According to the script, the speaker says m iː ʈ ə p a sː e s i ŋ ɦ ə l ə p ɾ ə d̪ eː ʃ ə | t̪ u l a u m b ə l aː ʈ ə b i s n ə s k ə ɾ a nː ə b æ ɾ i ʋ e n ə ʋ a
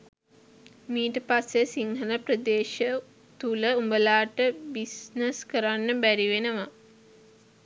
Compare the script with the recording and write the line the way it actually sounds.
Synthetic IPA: m iː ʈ ə p a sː e s i ŋ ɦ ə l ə p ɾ ə d̪ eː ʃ ə | t̪ u l ə u m b ə l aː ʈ ə b i s n ə s k ə ɾ a nː ə b æ ɾ i ʋ e n ə ʋ a